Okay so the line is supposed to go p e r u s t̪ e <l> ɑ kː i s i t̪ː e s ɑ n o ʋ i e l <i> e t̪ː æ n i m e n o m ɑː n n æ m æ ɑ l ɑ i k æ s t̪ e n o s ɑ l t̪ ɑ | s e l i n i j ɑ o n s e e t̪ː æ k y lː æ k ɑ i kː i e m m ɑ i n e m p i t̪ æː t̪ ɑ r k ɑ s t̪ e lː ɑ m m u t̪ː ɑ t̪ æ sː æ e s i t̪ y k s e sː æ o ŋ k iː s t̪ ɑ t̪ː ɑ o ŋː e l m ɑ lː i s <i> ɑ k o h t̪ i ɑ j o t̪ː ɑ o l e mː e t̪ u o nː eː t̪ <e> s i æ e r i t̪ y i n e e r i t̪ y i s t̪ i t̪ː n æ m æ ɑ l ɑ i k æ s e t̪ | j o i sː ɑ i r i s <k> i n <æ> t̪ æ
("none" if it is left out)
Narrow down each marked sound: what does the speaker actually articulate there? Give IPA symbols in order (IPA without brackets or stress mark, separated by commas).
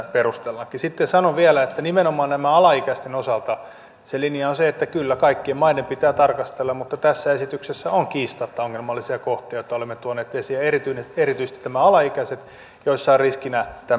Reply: lː, æ, i, e, k, æ